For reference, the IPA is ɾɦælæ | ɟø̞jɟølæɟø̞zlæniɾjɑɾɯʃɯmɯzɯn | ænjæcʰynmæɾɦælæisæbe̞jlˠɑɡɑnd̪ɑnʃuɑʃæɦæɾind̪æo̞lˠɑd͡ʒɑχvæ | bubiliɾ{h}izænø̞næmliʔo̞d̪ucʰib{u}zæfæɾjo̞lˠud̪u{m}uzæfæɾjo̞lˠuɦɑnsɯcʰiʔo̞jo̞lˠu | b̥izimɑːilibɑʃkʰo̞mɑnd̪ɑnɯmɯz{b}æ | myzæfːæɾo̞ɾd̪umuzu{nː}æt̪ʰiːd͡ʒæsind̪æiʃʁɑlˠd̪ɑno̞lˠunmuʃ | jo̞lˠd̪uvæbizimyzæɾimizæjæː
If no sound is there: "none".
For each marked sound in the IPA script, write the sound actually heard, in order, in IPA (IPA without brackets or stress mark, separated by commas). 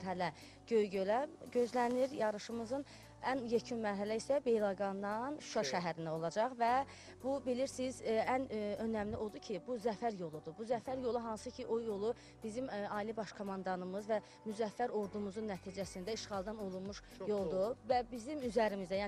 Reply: s, u, b, v, nː